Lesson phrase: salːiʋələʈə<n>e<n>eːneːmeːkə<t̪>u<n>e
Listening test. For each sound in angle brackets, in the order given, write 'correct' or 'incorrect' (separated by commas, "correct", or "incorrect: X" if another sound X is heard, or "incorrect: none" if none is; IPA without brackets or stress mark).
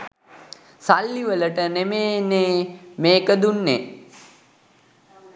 correct, incorrect: m, incorrect: d̪, incorrect: nː